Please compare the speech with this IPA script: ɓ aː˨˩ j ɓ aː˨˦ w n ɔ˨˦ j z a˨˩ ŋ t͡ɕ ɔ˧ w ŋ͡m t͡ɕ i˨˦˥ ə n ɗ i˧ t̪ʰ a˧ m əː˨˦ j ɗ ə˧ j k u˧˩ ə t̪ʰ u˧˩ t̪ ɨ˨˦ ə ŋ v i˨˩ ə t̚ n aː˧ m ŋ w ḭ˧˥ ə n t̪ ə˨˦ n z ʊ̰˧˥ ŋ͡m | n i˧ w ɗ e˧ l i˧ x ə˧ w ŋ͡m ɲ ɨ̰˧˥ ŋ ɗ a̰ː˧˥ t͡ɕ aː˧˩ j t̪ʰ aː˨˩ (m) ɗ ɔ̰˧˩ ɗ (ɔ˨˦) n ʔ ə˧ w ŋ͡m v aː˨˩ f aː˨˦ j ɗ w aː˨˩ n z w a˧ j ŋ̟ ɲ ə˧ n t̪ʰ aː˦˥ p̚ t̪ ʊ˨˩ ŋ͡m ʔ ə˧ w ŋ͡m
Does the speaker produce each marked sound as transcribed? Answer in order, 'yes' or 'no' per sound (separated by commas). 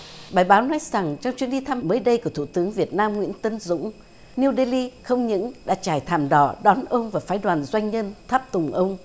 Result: yes, yes